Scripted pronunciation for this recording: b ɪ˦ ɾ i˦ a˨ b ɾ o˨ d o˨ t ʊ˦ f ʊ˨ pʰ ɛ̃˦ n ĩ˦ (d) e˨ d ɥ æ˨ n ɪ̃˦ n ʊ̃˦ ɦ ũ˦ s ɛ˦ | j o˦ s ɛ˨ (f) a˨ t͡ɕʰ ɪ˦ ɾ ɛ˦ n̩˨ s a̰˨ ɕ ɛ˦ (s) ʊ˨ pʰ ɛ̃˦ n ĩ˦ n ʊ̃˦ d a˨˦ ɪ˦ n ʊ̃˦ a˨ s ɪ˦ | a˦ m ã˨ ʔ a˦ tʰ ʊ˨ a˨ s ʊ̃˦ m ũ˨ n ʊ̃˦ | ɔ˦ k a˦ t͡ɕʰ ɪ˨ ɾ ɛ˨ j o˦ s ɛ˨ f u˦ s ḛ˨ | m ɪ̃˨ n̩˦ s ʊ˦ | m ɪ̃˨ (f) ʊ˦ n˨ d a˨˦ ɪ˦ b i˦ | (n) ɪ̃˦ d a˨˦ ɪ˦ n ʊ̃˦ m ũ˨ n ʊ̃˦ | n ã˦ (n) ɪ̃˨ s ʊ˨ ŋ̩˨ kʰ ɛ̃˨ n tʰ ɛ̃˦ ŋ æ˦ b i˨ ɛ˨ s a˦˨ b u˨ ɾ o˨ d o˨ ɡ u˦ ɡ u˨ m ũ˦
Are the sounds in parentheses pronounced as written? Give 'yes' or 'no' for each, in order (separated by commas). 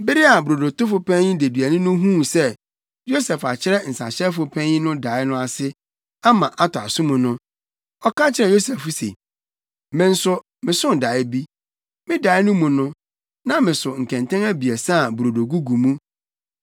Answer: yes, yes, no, no, no, no